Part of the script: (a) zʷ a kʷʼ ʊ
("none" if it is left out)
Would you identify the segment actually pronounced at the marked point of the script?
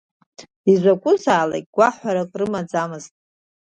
i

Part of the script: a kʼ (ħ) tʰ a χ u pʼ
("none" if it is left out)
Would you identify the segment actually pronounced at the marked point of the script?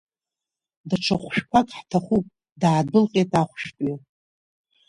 ħ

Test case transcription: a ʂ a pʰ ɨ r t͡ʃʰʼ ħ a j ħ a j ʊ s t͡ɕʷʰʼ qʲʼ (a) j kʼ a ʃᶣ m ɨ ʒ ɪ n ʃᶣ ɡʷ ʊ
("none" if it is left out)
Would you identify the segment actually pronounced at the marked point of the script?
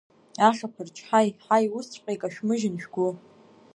e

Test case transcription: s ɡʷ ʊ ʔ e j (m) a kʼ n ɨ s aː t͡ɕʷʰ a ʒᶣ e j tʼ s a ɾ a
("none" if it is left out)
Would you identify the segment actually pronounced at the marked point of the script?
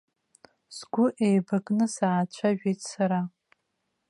b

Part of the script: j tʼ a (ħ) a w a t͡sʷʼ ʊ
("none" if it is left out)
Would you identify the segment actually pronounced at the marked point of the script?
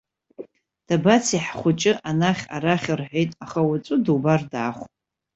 χ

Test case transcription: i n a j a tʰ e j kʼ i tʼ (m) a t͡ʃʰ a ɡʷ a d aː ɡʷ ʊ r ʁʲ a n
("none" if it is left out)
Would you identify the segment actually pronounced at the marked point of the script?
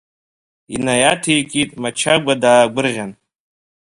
m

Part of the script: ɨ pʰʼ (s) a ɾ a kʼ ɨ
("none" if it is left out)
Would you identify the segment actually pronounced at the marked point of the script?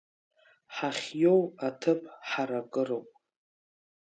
ħ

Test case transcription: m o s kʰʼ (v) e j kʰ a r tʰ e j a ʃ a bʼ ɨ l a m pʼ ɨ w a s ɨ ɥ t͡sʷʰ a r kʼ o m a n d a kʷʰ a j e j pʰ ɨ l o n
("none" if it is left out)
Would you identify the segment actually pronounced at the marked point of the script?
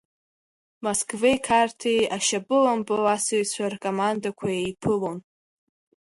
v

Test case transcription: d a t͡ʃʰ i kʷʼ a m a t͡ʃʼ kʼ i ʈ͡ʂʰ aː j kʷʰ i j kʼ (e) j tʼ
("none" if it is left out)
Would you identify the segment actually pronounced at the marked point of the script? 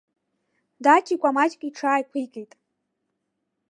e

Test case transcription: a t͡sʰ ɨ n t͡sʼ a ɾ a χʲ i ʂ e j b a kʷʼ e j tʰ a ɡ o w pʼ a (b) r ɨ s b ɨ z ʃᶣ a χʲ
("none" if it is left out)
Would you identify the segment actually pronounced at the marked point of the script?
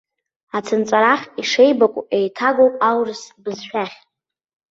w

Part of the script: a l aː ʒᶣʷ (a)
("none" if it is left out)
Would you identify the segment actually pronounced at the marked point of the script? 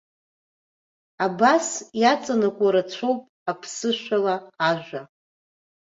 a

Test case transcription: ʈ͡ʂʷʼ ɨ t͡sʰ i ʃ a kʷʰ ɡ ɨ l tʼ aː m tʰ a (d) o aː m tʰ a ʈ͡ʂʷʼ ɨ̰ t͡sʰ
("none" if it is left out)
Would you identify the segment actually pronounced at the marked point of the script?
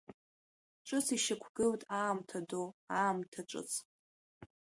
d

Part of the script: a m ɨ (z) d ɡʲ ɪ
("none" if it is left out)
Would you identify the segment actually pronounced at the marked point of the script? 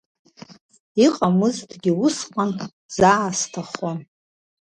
z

